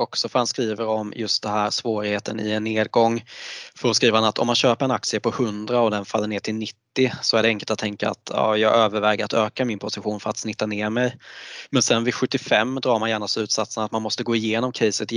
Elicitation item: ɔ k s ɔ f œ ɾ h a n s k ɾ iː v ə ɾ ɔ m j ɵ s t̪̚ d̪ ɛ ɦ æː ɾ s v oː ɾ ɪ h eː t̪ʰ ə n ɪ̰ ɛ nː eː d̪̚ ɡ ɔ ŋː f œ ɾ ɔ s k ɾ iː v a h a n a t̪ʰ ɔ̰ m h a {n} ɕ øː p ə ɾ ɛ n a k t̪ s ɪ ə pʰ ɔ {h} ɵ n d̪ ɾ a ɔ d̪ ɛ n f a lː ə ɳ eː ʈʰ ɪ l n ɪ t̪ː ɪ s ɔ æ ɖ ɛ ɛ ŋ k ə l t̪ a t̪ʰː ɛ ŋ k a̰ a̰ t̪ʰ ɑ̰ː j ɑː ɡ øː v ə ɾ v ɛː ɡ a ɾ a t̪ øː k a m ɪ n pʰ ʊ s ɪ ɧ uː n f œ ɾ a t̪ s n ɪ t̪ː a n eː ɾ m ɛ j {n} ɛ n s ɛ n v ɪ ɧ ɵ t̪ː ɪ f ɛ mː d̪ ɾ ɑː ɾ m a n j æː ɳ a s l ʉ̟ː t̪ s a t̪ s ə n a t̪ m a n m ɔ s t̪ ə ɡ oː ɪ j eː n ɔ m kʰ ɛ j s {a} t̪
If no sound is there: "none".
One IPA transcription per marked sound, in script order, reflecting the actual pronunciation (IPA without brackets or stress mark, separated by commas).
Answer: n, h, m, ə